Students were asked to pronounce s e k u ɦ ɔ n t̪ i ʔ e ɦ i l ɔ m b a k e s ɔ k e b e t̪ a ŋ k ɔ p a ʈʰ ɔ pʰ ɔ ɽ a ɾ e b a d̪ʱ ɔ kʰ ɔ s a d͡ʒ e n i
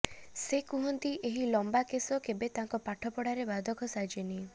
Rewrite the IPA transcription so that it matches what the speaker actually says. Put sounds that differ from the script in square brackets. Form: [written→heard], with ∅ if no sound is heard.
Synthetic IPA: s e k u ɦ ɔ n t̪ i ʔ e ɦ i l ɔ m b a k e s ɔ k e b e t̪ a ŋ k ɔ p a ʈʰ ɔ [pʰ→p] ɔ ɽ a ɾ e b a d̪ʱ ɔ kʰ ɔ s a d͡ʒ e n i